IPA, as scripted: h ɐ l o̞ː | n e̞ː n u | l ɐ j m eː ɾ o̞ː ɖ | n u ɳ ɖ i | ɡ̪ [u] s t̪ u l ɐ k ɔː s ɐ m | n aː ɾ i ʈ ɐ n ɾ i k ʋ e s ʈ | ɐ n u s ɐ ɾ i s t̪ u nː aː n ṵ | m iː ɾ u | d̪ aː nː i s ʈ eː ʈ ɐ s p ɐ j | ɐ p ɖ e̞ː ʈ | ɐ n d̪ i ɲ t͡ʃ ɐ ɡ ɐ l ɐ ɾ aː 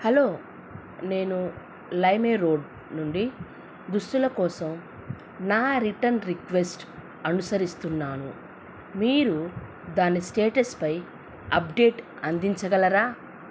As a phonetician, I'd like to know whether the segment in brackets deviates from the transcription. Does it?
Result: no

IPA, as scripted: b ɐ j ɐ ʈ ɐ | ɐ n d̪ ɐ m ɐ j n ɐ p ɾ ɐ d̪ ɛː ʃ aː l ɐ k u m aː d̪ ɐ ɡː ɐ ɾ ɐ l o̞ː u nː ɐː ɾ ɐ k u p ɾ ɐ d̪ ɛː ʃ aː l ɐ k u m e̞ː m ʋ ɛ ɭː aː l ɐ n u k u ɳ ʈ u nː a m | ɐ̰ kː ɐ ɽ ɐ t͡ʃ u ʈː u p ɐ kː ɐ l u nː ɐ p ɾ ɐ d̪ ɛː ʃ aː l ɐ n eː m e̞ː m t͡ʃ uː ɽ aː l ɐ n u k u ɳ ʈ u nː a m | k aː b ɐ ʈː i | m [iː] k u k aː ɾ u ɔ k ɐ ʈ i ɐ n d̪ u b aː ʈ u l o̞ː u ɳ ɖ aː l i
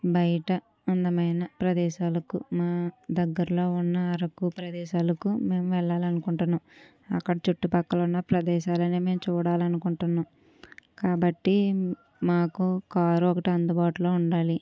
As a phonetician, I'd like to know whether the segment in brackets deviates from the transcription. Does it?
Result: yes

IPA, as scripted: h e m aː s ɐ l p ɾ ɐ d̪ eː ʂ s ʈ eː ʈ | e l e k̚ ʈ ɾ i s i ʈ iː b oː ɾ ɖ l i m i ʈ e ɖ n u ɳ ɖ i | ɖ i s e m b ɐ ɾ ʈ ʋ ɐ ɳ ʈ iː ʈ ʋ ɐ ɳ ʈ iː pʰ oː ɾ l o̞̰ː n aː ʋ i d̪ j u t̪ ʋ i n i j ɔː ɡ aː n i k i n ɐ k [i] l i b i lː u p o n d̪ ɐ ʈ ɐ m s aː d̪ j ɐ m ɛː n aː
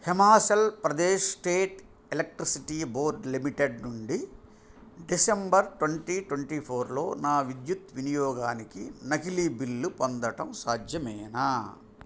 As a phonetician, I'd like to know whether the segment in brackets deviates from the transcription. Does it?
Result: no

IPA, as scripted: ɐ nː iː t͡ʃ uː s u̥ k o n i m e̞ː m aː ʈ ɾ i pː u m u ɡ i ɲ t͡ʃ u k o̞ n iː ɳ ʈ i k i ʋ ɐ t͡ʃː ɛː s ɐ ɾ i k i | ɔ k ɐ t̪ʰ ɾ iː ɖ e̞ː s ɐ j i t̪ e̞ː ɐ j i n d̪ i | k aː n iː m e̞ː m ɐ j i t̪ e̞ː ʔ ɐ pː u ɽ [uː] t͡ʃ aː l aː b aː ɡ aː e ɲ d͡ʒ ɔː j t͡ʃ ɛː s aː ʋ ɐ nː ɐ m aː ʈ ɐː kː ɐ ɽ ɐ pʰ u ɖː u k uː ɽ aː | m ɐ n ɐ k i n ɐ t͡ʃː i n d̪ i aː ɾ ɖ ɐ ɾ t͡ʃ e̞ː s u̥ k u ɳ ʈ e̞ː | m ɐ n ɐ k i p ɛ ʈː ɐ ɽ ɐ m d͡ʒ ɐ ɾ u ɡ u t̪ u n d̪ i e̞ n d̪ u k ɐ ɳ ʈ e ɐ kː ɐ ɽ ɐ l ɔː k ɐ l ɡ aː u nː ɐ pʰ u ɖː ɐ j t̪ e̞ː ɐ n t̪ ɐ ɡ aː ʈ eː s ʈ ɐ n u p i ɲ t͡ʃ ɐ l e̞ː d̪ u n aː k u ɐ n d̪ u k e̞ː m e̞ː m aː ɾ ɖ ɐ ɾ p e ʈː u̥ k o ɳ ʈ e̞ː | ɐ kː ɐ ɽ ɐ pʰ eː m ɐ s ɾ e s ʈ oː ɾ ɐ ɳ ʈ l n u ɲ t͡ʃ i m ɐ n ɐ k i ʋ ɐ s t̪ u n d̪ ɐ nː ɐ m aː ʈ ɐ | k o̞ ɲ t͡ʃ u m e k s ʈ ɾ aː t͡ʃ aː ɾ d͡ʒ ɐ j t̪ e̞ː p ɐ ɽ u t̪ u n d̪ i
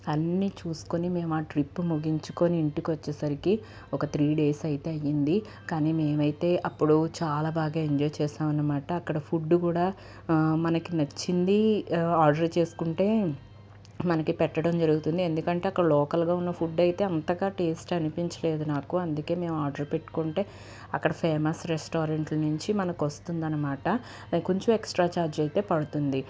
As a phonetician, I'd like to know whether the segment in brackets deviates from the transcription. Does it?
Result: yes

